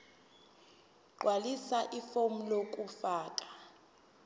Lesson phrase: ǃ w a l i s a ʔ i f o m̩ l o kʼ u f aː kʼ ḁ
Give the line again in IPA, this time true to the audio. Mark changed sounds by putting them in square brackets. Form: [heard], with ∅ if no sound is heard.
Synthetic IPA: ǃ w a l i s a ʔ i f o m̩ l o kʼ u f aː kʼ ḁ